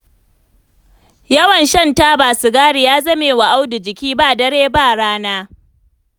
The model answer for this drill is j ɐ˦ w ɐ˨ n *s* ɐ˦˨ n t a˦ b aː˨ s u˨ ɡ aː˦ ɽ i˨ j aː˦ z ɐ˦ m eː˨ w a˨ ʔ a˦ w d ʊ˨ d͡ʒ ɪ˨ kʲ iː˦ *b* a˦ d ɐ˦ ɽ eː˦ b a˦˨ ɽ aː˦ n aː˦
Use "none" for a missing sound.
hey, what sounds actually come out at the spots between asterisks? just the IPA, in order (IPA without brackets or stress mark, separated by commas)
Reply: ʃ, b